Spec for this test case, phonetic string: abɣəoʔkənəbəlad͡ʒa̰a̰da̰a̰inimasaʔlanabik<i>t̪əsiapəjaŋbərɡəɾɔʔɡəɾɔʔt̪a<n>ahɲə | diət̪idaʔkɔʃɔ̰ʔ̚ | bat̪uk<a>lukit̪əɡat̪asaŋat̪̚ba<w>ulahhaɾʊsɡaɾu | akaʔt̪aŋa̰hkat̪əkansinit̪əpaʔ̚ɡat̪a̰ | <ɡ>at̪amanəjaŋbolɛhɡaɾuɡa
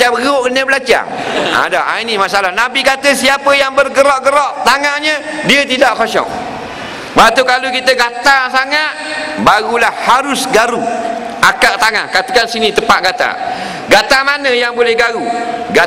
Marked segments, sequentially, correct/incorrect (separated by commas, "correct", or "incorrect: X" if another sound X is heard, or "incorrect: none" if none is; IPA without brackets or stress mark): incorrect: a, incorrect: ŋ, correct, incorrect: ɣ, correct